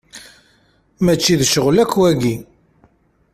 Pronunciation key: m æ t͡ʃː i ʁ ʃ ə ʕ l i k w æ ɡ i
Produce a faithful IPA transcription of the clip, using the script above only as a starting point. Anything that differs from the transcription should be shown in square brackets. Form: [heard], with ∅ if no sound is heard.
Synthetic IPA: m æ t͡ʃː i [ð] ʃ ə [ʁ] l [æ] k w æ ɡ i